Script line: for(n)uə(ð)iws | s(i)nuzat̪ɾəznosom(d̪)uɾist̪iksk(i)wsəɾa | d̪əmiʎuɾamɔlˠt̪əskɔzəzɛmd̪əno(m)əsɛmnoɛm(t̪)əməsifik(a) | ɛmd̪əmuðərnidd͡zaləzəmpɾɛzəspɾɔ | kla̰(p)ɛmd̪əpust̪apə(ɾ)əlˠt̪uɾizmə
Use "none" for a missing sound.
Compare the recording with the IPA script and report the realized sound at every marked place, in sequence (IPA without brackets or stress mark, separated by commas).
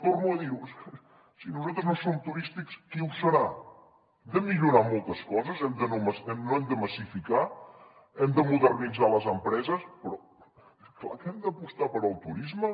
m, ð, i, t̪, i, m, d̪, a, k, ɾ